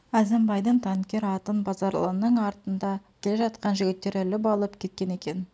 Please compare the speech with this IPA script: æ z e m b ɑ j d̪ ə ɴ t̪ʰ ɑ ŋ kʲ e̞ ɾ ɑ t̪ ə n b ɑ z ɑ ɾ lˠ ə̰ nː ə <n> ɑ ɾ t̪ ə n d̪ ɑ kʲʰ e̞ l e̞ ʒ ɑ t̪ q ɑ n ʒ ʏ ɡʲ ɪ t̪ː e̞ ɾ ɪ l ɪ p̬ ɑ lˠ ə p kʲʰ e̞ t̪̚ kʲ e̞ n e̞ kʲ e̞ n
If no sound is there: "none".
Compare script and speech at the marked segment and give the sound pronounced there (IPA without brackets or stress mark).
ɴ